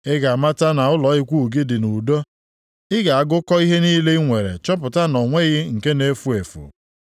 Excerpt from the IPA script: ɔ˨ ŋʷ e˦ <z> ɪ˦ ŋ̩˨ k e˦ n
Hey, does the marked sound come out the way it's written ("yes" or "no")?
no